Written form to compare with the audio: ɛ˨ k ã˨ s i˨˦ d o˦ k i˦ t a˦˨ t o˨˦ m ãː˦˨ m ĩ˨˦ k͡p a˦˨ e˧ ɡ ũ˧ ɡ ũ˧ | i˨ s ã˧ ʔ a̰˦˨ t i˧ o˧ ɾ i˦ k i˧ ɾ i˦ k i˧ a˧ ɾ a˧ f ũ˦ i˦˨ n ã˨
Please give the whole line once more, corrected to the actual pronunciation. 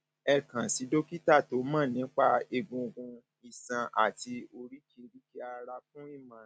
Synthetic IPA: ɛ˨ k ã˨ s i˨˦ d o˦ k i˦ t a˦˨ t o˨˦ m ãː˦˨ n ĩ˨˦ k͡p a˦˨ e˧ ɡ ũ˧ ɡ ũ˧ | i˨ s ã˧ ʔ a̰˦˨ t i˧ o˧ ɾ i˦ k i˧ ɾ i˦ k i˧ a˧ ɾ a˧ f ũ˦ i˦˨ m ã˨